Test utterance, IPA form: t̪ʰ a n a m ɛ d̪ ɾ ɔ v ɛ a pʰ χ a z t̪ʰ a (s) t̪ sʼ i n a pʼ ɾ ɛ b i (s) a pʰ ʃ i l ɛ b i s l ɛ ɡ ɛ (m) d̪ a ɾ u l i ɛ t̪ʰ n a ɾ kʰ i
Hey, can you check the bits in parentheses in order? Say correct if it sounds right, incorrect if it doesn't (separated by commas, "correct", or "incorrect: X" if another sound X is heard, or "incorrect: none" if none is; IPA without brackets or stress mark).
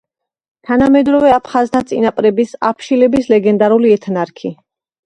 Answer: incorrect: none, correct, incorrect: n